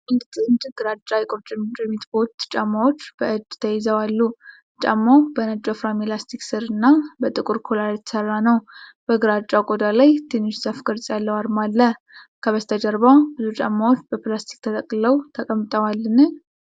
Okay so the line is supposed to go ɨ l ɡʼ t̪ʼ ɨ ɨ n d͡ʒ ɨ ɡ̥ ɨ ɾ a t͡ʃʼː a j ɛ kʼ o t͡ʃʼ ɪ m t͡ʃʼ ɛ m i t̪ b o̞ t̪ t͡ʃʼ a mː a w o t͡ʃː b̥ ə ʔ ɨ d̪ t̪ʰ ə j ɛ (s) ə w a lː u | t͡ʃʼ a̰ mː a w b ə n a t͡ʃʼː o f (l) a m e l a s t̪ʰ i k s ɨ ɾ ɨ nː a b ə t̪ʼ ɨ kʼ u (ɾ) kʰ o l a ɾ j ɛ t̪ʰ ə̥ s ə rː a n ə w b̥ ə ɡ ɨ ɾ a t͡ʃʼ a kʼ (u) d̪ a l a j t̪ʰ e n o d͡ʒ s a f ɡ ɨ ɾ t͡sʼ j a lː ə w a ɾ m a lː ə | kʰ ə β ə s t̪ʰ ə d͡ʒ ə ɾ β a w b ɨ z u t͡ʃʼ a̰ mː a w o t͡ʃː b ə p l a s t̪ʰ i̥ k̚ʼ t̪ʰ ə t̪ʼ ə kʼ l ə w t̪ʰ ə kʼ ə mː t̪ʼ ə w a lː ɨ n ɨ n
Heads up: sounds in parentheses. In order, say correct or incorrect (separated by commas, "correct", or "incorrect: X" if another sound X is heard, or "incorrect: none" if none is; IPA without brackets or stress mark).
incorrect: z, incorrect: ɾ, correct, incorrect: o